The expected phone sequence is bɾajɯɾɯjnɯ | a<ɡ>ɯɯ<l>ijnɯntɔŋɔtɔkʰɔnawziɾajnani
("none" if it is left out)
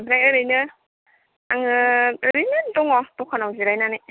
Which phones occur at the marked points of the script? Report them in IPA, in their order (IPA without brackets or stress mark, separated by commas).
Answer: ŋ, ɾ